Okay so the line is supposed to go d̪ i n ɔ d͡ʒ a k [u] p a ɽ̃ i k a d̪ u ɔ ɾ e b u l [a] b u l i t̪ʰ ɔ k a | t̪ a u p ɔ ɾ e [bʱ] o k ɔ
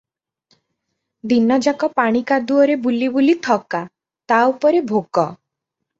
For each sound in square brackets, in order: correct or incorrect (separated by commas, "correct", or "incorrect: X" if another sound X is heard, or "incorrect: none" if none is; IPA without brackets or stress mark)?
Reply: incorrect: ɔ, incorrect: i, correct